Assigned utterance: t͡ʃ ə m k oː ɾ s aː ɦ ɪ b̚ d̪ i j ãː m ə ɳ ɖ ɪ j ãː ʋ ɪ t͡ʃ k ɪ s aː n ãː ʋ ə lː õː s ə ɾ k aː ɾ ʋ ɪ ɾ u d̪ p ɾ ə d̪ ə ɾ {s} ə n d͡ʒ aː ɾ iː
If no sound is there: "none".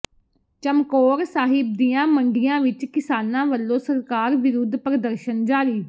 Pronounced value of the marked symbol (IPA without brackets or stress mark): ʃ